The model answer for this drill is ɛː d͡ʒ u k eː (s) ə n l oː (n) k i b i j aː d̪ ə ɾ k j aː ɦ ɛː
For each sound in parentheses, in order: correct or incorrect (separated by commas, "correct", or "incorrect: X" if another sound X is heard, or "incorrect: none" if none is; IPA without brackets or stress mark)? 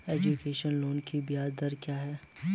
incorrect: ʃ, correct